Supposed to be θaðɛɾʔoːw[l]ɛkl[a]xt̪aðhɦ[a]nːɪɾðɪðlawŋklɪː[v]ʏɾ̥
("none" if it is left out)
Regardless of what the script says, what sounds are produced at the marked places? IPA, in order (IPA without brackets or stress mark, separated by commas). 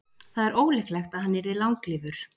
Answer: l, ɛ, a, v